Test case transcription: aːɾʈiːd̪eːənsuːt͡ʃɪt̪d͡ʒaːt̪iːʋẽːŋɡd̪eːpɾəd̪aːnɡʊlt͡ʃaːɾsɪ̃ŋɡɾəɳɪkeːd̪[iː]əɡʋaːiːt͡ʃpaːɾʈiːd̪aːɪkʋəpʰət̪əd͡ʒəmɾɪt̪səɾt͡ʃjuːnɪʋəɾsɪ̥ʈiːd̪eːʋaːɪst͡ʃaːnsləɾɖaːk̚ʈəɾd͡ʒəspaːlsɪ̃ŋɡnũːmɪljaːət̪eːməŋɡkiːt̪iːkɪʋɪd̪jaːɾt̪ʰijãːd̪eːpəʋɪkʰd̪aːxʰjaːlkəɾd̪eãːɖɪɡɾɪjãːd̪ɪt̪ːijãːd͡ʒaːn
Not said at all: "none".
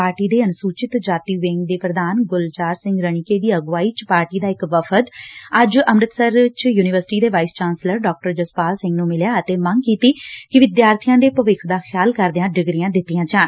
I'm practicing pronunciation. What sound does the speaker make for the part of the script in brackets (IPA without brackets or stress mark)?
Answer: iː